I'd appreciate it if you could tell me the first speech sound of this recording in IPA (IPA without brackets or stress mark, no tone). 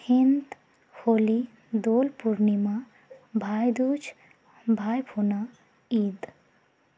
h